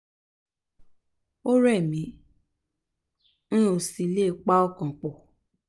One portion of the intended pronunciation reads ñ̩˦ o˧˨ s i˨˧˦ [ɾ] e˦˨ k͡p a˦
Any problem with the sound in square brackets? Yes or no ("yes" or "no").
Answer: yes